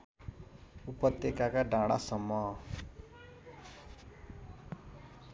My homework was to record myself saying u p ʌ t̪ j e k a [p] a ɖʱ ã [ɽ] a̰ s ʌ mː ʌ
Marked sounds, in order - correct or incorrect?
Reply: incorrect: k, correct

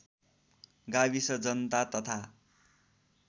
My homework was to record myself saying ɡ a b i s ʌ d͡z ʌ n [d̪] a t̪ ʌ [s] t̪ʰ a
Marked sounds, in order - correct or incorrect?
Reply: incorrect: t̪, incorrect: none

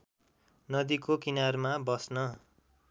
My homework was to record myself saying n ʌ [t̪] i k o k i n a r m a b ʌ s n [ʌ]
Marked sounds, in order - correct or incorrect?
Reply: incorrect: d̪, correct

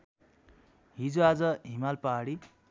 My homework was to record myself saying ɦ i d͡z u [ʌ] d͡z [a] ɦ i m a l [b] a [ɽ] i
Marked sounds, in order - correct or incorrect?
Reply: incorrect: a, incorrect: ʌ, incorrect: p, correct

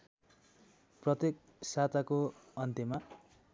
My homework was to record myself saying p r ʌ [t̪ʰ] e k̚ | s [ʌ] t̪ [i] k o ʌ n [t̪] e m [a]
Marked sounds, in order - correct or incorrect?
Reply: incorrect: t̪, incorrect: a, incorrect: a, correct, correct

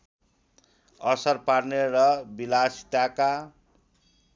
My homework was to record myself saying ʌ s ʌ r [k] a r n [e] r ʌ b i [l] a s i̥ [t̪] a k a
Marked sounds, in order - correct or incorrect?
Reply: incorrect: p, correct, correct, correct

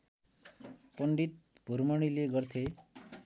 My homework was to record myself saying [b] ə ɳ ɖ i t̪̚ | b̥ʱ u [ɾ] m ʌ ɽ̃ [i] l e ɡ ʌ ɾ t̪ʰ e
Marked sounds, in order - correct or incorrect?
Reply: incorrect: p, correct, correct

